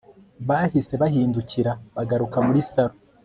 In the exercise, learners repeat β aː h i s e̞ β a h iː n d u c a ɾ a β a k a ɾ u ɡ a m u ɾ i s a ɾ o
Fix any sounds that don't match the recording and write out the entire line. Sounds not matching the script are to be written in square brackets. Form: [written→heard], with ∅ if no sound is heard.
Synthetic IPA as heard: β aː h i s e̞ β a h iː n d u c [a→i] ɾ a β a [k→ɡ] a ɾ u [ɡ→k] a m u ɾ i s a ɾ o